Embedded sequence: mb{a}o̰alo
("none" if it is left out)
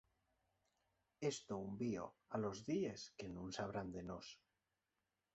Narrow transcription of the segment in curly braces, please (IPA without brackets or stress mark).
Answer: i